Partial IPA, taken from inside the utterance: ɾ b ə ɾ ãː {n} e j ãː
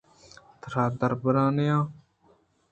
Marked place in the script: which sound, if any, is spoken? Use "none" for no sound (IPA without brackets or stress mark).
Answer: n